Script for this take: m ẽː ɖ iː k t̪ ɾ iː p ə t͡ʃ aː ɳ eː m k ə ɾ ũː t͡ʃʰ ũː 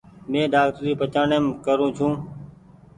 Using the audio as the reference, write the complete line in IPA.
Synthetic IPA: m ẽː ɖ aː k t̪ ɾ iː p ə t͡ʃ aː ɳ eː m k ə ɾ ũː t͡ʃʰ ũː